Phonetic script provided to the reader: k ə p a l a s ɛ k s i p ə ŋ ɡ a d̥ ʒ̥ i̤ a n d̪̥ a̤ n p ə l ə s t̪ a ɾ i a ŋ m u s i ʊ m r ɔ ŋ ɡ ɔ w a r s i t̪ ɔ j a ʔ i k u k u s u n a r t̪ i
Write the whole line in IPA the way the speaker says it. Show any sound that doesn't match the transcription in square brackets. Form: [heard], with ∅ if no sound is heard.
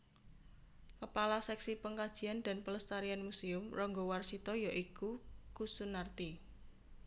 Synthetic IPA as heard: k ə p a l a s ɛ k s i p ə ŋ [k] a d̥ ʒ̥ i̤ a n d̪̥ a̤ n p ə l ə s t̪ a ɾ i a [n] m u s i ʊ m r ɔ ŋ ɡ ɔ w a r s i t̪ ɔ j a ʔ i k u k u s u n a r t̪ i